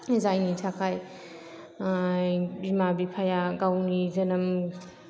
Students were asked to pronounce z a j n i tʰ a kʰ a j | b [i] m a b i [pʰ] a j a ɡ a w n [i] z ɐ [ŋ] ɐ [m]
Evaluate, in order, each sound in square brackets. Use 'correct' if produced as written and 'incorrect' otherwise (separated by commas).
correct, correct, correct, incorrect, correct